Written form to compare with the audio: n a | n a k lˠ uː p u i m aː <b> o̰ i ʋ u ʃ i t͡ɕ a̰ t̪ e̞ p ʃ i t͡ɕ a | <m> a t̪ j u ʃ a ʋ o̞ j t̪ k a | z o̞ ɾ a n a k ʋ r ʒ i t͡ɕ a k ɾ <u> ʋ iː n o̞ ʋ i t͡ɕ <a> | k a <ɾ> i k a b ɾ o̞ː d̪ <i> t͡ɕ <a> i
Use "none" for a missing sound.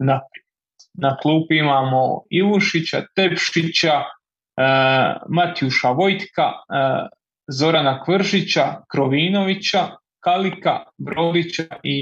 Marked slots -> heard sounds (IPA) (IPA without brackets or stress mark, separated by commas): m, m, o, a, l, i, a